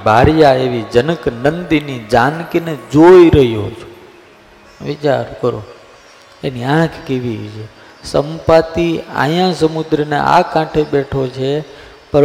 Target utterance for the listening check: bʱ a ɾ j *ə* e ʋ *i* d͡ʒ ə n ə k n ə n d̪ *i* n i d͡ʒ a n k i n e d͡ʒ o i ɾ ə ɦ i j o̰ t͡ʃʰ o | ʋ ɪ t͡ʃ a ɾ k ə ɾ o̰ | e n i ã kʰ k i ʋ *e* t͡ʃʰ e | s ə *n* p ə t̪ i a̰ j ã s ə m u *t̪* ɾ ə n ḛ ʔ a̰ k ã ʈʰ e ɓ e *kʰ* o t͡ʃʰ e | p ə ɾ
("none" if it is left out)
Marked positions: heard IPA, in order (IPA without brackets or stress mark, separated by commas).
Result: a, i, i, i, m, d̪, ʈʰ